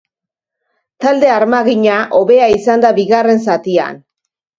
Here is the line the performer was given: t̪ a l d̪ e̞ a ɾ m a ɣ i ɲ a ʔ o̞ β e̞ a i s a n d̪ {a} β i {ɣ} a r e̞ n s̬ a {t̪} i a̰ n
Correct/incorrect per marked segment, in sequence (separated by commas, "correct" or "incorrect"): correct, correct, correct